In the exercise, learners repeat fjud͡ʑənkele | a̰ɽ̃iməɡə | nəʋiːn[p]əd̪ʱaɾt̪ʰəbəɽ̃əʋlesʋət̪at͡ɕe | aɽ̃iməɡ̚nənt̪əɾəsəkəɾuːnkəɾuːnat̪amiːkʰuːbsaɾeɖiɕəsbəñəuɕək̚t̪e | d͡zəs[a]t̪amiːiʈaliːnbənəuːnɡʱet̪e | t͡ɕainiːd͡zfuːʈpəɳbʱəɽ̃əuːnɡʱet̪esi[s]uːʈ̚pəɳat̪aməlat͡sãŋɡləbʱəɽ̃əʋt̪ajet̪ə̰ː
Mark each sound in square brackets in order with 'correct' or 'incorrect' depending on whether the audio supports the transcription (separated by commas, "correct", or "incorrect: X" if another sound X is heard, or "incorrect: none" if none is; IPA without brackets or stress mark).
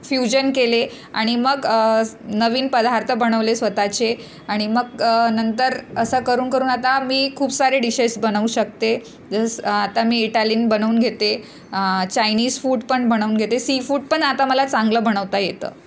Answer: correct, correct, incorrect: f